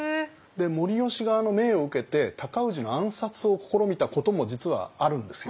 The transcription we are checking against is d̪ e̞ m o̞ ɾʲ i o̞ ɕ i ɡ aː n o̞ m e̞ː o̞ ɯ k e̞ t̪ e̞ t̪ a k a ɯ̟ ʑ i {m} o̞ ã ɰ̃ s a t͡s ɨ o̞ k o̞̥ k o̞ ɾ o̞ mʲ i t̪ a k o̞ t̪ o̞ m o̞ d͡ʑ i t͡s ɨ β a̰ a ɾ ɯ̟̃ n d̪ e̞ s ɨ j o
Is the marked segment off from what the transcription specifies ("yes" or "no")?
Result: yes